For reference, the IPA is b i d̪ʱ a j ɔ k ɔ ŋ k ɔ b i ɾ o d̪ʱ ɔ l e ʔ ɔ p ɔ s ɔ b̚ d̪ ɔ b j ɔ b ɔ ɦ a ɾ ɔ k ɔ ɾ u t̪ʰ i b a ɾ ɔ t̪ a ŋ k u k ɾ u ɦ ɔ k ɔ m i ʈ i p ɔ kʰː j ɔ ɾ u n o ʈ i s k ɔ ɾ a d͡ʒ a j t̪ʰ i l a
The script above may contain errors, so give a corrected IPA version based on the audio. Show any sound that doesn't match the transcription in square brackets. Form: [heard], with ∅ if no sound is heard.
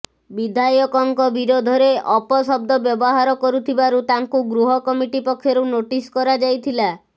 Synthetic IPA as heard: b i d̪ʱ a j ɔ k ɔ ŋ k ɔ b i ɾ o d̪ʱ ɔ [ɾ] e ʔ ɔ p ɔ s ɔ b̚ d̪ ɔ b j ɔ b ɔ ɦ a ɾ ɔ k ɔ ɾ u t̪ʰ i b a ɾ [u] t̪ a ŋ k u [ɡ] ɾ u ɦ ɔ k ɔ m i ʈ i p ɔ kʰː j ɔ ɾ u n o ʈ i s k ɔ ɾ a d͡ʒ a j t̪ʰ i l a